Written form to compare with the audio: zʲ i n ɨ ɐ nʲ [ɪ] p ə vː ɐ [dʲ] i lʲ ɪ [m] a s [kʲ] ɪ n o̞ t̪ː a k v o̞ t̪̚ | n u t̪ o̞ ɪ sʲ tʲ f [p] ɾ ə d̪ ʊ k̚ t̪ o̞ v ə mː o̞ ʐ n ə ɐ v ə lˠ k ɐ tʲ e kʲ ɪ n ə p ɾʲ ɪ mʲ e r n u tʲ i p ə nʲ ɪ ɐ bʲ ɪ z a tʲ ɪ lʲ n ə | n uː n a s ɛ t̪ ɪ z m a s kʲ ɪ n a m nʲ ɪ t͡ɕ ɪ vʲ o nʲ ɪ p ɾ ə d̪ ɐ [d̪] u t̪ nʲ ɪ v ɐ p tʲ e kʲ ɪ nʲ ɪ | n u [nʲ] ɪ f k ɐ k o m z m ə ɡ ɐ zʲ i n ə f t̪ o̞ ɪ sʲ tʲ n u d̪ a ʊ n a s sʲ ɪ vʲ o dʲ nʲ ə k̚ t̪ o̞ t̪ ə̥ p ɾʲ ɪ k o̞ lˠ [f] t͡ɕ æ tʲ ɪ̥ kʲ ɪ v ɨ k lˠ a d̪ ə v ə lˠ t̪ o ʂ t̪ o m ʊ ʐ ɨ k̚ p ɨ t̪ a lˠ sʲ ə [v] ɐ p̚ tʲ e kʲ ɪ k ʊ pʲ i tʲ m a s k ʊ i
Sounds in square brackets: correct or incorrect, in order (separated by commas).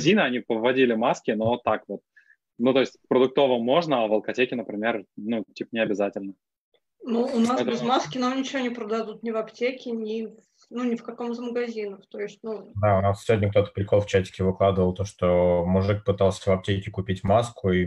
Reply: incorrect, correct, correct, correct, correct, correct, correct, correct, correct